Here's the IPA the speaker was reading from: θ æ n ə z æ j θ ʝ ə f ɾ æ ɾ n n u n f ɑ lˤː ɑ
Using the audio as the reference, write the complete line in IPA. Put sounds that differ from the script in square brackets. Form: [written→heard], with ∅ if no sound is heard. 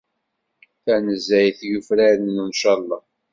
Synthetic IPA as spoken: θ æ n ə z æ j θ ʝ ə f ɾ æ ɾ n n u n [f→ʃ] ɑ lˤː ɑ